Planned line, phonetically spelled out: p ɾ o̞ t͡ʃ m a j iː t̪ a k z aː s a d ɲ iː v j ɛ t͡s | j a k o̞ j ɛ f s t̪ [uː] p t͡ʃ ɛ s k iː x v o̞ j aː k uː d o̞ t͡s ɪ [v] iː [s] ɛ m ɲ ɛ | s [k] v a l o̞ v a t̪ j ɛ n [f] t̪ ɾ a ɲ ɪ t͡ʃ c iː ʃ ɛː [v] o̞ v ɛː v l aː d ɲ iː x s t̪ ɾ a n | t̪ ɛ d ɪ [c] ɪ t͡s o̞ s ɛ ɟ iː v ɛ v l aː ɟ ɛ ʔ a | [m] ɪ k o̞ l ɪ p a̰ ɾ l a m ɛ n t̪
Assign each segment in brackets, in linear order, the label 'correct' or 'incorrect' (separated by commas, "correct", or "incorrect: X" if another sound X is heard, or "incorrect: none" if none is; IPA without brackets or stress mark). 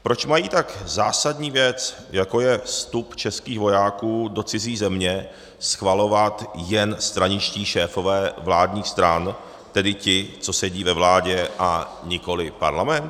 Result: incorrect: u, incorrect: z, incorrect: z, incorrect: x, incorrect: s, incorrect: f, correct, incorrect: ɲ